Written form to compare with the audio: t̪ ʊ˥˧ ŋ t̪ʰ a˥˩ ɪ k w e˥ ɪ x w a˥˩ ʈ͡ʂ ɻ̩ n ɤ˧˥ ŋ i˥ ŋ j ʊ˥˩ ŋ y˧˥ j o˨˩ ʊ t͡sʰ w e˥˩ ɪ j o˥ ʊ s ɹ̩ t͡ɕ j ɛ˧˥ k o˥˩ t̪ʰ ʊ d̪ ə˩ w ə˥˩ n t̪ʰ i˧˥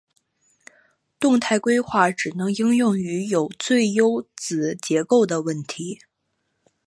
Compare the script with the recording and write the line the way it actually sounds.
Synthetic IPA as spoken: t̪ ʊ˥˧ ŋ t̪ʰ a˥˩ ɪ k w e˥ ɪ x w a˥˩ ʈ͡ʂ ɻ̩ n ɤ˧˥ ŋ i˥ ŋ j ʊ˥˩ ŋ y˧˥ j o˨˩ ʊ t͡s w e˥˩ ɪ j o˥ ʊ t͡s ɹ̩ t͡ɕ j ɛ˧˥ k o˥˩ ʊ d̪ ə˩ w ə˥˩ n t̪ʰ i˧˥